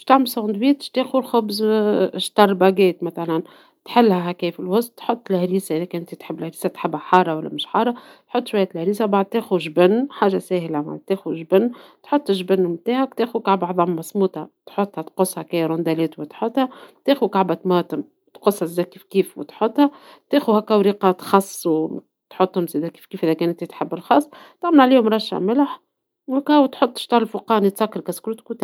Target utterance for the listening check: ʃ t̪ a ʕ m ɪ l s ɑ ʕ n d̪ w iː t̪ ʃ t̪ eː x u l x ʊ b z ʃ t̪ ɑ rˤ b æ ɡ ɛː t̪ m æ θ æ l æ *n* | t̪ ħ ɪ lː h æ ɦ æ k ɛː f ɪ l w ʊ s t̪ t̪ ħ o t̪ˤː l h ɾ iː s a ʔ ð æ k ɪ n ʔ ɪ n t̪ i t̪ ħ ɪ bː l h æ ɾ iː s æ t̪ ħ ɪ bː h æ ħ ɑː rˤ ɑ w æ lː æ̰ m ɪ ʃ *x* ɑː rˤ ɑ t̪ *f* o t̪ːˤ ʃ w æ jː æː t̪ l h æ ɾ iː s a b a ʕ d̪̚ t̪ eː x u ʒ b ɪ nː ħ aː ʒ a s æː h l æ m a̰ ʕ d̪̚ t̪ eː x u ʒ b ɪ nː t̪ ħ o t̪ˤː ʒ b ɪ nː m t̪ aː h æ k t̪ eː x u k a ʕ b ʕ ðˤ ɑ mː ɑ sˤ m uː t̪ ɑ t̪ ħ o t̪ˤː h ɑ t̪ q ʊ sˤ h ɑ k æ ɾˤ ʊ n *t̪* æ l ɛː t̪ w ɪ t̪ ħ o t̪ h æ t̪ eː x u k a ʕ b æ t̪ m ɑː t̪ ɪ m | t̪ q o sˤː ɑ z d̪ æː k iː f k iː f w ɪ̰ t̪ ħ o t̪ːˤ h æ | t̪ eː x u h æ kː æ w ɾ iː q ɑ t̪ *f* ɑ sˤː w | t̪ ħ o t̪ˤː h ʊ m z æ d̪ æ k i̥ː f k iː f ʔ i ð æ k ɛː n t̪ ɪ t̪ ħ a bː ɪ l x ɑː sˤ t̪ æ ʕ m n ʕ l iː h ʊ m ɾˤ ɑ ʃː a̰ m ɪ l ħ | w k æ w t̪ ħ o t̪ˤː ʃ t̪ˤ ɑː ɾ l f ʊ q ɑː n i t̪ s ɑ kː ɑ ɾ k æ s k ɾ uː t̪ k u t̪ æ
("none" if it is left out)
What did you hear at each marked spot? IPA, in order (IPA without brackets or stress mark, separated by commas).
n, ħ, ħ, d̪, x